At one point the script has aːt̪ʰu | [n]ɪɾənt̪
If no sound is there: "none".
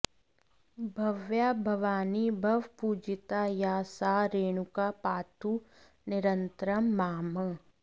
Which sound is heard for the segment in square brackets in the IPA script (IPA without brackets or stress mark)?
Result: n